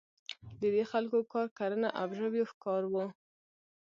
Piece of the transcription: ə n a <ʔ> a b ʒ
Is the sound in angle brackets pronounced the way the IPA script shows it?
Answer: yes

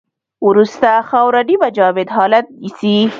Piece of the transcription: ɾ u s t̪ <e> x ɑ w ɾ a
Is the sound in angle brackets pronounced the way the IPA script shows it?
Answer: no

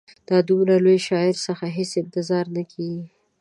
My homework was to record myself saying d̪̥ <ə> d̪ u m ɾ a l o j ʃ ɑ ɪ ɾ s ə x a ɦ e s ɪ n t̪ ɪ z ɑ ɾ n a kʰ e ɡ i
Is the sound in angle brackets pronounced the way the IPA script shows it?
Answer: no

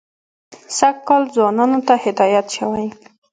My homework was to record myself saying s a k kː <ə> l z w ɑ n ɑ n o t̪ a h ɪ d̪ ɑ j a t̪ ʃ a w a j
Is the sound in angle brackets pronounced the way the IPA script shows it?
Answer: no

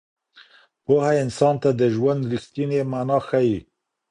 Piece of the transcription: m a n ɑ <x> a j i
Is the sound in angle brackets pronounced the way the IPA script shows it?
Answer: yes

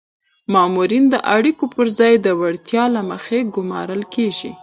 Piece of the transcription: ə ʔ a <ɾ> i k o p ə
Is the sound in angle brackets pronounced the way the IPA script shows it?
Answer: no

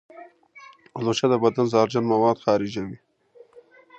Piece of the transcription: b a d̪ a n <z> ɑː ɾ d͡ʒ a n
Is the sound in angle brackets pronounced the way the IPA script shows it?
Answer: yes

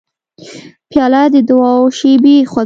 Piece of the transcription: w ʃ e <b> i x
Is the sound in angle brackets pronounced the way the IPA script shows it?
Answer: yes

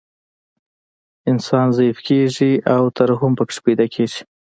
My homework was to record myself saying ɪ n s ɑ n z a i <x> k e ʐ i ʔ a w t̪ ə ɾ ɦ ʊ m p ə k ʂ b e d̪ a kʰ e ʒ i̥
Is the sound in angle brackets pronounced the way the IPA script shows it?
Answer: no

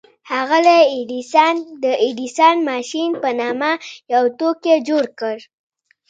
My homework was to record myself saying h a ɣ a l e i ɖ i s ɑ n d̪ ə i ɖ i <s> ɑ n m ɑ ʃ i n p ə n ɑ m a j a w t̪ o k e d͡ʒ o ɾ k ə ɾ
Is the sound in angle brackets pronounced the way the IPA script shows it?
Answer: yes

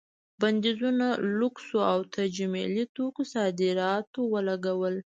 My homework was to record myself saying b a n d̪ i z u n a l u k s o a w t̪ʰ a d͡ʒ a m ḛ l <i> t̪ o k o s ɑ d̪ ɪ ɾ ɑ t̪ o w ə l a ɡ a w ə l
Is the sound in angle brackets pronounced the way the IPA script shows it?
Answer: yes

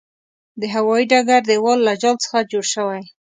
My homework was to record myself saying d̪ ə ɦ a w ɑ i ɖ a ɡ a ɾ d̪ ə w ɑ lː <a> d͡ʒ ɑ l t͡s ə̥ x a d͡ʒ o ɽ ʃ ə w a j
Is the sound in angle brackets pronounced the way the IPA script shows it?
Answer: yes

